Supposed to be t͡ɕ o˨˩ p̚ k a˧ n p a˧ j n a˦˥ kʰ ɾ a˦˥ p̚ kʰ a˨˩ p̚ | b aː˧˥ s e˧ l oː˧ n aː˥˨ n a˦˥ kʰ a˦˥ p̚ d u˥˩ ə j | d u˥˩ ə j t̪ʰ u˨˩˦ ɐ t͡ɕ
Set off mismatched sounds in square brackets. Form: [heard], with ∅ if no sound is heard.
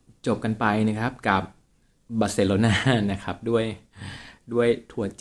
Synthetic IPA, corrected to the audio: t͡ɕ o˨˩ p̚ k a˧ n p a˧ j n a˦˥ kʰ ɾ a˦˥ p̚ [k] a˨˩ p̚ | b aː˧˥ s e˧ l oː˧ n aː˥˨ n a˦˥ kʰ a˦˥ p̚ d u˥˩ ə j | d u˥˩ ə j t̪ʰ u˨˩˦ ɐ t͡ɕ